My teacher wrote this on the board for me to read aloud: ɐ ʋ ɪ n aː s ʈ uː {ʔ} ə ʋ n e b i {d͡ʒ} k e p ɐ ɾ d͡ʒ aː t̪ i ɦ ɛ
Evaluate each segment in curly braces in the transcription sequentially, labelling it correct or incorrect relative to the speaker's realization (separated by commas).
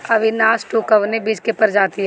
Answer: incorrect, correct